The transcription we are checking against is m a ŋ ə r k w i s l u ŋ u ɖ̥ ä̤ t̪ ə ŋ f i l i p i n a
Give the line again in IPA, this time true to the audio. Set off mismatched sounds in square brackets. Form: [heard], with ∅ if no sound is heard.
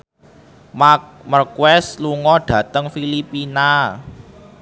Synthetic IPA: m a [m] ə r k w [ɛ] s l u ŋ [ɔ] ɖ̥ ä̤ t̪ ə ŋ f i l i p i n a

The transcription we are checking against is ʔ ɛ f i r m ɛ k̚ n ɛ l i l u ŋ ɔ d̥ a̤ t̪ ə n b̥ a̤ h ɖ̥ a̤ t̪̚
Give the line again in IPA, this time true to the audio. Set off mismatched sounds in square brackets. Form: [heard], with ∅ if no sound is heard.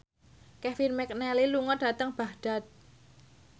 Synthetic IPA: [k] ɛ f i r m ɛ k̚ n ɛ l i l u ŋ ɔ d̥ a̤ t̪ ə [ŋ] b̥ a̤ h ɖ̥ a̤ t̪̚

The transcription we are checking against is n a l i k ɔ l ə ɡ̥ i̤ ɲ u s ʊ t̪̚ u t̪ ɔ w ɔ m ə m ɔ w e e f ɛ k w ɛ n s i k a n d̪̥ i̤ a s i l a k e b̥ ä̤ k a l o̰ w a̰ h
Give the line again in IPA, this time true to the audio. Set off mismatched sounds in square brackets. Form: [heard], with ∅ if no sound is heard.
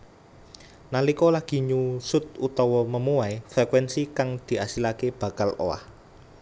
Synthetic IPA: n a l i k ɔ l [a] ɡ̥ i̤ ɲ u s ʊ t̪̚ u t̪ ɔ w ɔ m ə m [u] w [a] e f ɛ k w ɛ n s i k a [ŋ] d̪̥ i̤ a s i l a k e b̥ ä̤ k a l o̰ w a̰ h

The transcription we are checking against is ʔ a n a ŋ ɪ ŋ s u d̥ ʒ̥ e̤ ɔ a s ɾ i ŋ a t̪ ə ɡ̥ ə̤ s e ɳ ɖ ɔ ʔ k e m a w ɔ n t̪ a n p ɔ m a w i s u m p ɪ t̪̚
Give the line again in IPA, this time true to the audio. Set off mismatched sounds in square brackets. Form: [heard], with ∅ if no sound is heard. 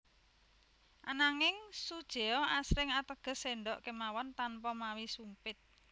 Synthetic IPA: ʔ a n a ŋ ɪ ŋ s u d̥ ʒ̥ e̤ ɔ a s ɾ [ɪ] ŋ a t̪ ə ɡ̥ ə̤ s e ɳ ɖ ɔ ʔ k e m a w ɔ n t̪ a n p ɔ m a w i s u m p ɪ t̪̚

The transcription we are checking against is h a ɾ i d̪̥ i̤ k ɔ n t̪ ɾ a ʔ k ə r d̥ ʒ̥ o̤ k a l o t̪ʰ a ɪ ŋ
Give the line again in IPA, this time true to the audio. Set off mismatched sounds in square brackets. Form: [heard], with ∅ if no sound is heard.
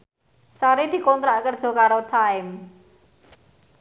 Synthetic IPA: [s] a ɾ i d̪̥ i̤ k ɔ n t̪ ɾ a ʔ k ə r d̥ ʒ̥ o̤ k a [ɾ] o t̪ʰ a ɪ [m]

